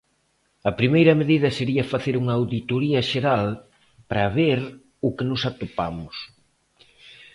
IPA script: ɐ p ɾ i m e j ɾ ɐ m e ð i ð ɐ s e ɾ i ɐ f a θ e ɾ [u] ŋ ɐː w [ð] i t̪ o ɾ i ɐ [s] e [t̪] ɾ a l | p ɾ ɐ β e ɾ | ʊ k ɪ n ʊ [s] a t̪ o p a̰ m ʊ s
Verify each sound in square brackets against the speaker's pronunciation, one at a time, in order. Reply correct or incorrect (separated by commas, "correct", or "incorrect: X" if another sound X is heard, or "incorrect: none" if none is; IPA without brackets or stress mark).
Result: correct, correct, incorrect: ʃ, incorrect: none, correct